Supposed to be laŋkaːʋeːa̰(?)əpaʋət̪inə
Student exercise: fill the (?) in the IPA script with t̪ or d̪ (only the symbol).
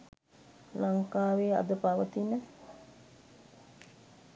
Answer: d̪